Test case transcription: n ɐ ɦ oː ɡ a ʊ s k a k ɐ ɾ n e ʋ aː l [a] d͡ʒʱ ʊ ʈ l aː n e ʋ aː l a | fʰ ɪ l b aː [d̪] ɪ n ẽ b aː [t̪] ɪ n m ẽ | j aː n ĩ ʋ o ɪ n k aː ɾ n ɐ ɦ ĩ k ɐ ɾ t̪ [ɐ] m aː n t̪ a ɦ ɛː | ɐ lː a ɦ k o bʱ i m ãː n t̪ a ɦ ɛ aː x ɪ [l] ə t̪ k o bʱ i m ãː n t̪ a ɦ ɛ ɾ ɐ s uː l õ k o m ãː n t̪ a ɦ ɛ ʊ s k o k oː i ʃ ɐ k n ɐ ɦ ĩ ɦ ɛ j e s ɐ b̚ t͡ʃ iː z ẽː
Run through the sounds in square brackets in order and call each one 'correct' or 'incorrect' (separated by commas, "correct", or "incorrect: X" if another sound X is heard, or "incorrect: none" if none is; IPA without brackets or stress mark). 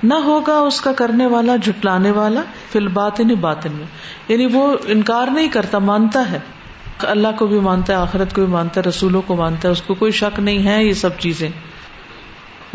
correct, incorrect: t̪, correct, incorrect: a, incorrect: ɾ